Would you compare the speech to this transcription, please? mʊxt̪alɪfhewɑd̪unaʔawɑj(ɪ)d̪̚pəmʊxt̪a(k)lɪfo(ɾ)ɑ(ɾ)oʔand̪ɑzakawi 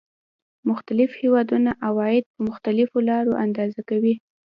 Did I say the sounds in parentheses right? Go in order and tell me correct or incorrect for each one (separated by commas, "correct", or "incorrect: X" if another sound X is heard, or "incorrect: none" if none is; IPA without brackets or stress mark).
correct, incorrect: none, incorrect: l, correct